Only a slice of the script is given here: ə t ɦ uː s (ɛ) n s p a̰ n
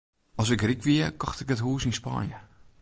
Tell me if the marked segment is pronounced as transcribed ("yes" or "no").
no